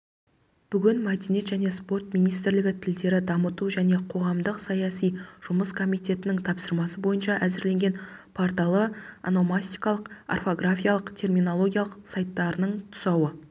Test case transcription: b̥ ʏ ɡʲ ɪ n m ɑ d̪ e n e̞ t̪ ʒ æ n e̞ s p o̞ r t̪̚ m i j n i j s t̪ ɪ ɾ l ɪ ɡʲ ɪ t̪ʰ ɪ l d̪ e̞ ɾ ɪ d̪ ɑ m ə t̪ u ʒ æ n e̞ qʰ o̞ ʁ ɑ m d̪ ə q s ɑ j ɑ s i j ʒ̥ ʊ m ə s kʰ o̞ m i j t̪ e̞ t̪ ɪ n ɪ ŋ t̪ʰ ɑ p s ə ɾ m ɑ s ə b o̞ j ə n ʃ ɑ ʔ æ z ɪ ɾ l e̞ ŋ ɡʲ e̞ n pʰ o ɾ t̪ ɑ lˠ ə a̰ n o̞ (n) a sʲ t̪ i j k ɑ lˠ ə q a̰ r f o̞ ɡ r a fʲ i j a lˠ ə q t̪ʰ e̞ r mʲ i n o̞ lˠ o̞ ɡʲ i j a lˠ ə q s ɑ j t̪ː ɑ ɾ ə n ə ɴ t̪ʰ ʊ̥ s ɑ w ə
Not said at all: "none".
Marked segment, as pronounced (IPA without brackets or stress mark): m